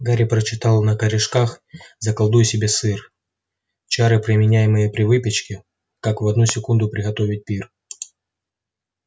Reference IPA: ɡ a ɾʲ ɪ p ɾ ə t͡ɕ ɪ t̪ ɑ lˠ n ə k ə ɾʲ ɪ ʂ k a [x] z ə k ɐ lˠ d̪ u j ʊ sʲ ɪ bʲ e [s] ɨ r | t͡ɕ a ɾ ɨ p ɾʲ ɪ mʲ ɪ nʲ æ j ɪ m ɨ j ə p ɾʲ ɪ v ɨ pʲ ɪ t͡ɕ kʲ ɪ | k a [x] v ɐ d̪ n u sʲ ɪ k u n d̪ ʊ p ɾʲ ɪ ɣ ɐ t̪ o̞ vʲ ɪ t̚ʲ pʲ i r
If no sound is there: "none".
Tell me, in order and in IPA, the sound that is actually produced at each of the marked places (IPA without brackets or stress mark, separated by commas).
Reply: x, s, k